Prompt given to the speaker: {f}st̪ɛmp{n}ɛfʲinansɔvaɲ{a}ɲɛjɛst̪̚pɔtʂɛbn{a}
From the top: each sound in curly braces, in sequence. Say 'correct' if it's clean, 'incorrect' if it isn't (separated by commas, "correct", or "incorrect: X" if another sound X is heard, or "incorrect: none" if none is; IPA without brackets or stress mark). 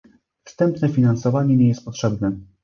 correct, correct, incorrect: ɛ, incorrect: ɛ